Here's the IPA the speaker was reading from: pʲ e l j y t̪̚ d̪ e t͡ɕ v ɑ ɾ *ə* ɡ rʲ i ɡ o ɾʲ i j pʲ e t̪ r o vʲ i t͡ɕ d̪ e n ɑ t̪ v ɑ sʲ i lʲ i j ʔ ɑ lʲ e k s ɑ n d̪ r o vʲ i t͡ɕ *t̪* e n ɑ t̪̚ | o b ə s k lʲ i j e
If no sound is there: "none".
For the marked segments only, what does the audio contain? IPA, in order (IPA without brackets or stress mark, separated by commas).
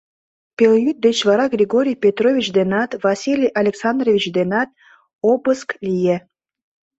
ɑ, d̪